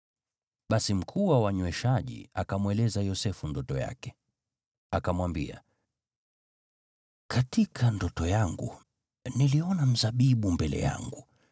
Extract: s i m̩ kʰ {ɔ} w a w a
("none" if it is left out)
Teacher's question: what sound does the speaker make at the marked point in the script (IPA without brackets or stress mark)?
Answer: u